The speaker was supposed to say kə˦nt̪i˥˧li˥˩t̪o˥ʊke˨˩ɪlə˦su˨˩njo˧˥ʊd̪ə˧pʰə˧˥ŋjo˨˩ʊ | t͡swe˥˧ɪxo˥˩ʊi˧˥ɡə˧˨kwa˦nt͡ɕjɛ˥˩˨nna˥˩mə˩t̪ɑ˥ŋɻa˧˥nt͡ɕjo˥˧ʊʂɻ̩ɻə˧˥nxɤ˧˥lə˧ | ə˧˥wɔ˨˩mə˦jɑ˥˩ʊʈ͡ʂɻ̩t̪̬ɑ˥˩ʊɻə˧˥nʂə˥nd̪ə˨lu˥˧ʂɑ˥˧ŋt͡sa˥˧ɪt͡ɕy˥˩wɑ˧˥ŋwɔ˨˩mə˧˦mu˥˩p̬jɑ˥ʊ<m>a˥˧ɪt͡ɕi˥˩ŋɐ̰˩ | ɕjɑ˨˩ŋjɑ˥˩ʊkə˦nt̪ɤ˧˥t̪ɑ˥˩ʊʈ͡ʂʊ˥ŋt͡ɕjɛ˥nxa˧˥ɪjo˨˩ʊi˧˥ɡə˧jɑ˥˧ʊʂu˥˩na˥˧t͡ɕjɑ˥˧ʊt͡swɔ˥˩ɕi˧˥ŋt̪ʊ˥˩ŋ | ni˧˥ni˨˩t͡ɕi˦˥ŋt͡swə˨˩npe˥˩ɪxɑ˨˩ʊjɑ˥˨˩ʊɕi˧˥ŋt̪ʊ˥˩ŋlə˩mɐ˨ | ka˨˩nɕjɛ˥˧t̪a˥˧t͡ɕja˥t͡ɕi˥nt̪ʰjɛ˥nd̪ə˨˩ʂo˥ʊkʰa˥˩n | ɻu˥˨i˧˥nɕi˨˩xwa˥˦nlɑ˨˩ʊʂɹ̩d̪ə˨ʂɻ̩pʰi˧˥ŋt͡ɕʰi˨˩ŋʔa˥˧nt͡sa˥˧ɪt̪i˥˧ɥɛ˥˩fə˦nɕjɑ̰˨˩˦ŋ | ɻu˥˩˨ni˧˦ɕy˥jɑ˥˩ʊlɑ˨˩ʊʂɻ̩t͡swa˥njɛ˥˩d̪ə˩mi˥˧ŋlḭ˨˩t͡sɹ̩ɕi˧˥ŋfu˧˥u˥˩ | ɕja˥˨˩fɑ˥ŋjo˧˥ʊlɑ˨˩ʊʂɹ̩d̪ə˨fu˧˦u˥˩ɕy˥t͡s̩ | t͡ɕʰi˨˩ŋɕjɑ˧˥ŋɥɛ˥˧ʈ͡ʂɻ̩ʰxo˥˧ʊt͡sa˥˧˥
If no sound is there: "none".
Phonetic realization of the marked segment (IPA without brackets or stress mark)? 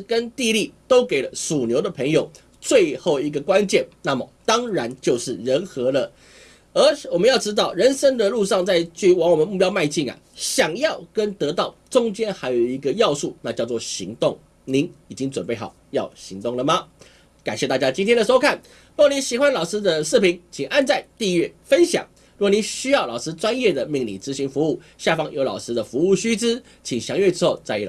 m